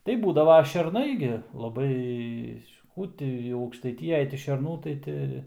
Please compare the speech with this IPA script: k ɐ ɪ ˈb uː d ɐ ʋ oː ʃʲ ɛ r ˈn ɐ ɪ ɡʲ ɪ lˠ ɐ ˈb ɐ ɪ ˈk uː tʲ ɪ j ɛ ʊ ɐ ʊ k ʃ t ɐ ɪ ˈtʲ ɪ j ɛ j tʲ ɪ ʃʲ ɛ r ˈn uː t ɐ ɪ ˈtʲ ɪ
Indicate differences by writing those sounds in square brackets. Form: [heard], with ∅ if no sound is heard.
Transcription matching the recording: [t] ɐ ɪ ˈb uː d ɐ ʋ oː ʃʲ ɛ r ˈn ɐ ɪ ɡʲ ɪ lˠ ɐ ˈb ɐ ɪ ˈk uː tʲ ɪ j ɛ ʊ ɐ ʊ k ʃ t ɐ ɪ ˈtʲ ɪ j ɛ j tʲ ɪ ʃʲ ɛ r ˈn uː t ɐ ɪ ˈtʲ ɪ